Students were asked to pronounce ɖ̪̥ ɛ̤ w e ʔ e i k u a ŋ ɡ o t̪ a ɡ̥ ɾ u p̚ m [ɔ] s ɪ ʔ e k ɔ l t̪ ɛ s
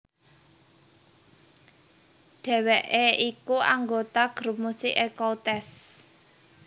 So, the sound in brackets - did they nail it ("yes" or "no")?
no